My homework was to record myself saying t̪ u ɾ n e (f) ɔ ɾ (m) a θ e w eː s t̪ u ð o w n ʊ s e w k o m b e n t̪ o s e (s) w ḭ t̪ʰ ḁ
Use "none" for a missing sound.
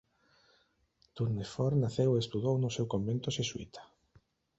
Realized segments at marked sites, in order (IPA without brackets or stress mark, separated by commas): f, n, s